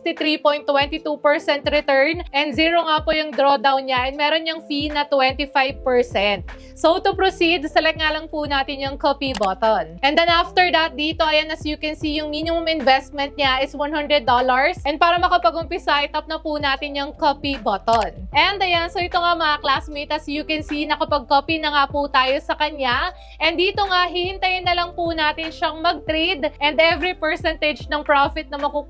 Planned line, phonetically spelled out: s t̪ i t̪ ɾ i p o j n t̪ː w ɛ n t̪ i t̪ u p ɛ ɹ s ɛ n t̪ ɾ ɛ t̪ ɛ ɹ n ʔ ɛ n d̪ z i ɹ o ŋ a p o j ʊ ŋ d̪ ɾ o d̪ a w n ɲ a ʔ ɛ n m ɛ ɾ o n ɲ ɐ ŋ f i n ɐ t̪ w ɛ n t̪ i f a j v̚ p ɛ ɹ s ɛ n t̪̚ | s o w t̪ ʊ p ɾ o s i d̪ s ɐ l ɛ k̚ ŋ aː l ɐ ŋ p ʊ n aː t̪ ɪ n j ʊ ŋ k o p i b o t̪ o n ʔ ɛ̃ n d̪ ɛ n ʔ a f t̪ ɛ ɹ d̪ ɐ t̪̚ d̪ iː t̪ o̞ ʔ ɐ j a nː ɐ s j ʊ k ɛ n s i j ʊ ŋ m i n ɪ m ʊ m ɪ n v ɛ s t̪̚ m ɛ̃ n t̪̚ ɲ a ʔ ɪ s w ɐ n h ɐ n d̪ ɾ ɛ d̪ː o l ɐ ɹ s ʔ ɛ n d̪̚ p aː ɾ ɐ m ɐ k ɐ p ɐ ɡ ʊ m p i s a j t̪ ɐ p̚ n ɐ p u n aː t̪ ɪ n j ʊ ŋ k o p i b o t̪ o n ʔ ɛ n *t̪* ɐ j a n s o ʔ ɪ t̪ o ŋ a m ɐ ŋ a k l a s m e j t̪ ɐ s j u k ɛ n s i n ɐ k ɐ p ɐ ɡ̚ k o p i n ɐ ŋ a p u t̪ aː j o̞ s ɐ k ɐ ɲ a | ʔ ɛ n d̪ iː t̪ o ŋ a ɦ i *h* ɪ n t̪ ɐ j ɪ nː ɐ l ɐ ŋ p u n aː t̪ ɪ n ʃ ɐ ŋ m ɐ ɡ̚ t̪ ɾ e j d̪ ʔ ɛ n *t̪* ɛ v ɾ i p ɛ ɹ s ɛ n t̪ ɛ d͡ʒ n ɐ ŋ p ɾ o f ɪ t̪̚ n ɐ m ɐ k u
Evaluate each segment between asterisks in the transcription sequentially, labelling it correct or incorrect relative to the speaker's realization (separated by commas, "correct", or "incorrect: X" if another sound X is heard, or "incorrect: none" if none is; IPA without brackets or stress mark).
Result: incorrect: d̪, correct, incorrect: d̪